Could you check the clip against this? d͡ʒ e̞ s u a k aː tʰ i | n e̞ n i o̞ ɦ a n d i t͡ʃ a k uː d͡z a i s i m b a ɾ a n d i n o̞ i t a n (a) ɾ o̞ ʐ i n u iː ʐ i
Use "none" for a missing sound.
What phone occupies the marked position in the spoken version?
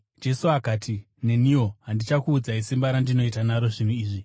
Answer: a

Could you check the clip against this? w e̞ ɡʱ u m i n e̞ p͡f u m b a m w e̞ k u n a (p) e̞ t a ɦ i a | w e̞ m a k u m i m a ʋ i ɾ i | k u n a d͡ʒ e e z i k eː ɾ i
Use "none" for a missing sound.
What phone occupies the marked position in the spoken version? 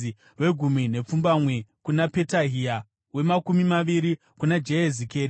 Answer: p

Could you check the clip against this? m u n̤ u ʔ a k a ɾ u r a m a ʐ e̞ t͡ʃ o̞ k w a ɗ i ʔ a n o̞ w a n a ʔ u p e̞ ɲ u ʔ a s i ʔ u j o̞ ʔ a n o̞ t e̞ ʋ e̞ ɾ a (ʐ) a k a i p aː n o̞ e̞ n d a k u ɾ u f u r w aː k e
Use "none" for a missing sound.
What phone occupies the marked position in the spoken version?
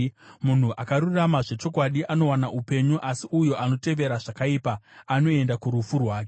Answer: ʐ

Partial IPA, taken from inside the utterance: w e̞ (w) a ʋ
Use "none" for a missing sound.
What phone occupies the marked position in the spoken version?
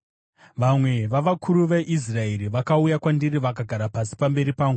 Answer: ʋ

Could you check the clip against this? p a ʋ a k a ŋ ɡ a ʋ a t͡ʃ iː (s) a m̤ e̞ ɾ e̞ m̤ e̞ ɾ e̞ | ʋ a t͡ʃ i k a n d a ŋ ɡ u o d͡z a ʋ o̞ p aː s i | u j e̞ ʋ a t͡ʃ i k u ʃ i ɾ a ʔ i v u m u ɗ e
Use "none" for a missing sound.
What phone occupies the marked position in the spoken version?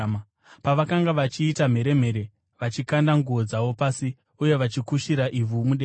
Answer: t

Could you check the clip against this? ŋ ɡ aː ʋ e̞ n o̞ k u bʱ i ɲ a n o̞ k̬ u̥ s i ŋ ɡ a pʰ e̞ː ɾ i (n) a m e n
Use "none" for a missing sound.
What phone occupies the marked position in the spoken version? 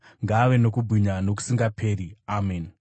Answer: none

